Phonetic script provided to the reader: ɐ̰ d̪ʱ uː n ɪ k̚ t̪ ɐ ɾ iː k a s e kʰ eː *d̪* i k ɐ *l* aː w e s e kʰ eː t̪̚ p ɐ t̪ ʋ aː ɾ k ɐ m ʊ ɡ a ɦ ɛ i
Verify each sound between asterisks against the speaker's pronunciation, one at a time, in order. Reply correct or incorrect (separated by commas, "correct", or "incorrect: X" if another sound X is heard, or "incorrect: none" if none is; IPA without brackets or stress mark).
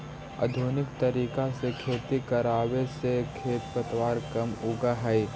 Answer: incorrect: t̪, incorrect: ɾ